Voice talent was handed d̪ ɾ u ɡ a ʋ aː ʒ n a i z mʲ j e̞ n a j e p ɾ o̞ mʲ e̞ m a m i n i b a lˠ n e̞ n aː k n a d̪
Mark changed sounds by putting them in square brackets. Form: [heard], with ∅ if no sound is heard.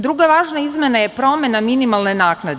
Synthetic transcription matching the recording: d̪ ɾ u ɡ a ʋ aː ʒ n a i z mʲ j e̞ n a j e p ɾ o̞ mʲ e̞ [n] a m i n i [m] a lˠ n e̞ n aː k n a d̪